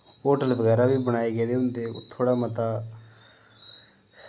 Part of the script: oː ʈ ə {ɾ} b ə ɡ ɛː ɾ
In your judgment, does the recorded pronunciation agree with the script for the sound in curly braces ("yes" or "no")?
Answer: no